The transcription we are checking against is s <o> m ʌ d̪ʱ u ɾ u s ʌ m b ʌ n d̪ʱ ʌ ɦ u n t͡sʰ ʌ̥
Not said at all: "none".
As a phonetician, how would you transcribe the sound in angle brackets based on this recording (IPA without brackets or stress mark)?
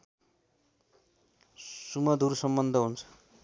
u